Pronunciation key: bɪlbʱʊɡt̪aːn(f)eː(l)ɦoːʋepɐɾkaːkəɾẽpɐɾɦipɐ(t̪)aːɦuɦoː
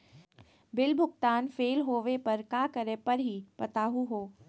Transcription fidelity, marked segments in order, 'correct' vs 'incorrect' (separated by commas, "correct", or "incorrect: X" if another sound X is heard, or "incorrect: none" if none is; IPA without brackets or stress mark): correct, correct, correct